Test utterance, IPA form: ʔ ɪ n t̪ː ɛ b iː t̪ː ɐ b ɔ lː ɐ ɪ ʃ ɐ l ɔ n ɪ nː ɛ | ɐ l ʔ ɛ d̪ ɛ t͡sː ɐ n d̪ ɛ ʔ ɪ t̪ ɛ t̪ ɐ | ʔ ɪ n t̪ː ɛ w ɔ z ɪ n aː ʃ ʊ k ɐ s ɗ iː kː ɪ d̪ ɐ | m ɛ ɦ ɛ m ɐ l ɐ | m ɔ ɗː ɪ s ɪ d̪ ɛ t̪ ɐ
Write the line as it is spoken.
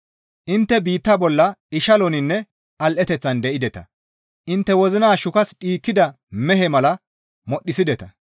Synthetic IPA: ʔ ɪ n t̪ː ɛ b iː t̪ː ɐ b ɔ lː ɐ ɪ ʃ ɐ l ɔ n ɪ nː ɛ | ɐ l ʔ ɛ t̪ ɛ t͡sː ɐ n d̪ ɛ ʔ ɪ d̪ ɛ t̪ ɐ | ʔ ɪ n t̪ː ɛ w ɔ z ɪ n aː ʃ ʊ k ɐ s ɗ iː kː ɪ d̪ ɐ | m ɛ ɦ ɛ m ɐ l ɐ | m ɔ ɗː ɪ s ɪ d̪ ɛ t̪ ɐ